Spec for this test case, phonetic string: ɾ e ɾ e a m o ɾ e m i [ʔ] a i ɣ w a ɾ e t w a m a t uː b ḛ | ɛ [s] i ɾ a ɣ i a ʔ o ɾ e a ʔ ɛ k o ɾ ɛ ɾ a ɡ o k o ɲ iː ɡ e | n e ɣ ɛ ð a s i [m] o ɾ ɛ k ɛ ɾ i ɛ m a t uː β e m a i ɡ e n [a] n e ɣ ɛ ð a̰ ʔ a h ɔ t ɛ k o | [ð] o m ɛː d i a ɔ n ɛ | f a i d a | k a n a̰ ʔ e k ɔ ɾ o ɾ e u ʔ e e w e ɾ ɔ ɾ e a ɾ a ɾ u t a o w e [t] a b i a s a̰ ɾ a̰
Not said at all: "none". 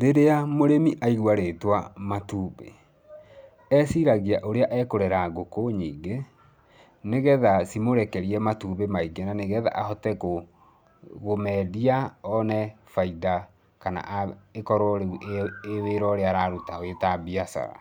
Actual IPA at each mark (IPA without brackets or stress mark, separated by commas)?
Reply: ʔ, s, m, a, ɣ, t